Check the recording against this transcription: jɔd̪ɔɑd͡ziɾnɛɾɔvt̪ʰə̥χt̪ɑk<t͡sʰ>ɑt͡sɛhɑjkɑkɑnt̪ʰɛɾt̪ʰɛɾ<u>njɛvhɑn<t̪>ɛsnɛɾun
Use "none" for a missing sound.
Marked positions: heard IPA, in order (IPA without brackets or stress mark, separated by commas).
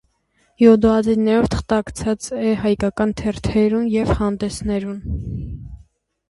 t͡sʰ, u, d̪